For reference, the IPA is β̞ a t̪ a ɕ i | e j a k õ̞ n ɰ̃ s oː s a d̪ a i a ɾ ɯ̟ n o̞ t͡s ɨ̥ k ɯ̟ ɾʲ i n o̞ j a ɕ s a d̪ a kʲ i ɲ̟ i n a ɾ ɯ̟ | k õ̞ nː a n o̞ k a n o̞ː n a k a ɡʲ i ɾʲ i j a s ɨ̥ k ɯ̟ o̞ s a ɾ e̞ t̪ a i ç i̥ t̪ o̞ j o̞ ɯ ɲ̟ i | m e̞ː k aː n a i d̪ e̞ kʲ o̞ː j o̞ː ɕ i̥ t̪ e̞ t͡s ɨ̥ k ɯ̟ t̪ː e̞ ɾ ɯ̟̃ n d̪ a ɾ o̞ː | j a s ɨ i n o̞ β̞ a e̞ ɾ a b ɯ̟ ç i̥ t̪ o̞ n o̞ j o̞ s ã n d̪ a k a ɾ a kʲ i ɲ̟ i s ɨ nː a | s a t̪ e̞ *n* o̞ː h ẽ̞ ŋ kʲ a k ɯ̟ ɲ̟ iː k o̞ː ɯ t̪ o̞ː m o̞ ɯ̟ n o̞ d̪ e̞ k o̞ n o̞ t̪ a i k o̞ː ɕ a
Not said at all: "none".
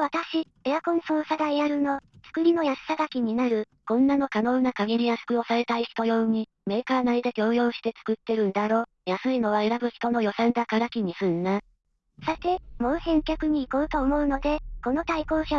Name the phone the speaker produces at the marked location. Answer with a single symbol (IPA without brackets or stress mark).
m